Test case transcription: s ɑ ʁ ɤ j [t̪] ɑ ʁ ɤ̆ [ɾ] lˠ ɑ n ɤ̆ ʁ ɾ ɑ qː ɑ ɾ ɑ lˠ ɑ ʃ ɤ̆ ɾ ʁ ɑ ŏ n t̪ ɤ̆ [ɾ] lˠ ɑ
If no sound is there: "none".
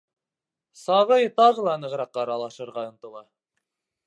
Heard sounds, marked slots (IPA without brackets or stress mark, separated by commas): t̪, none, none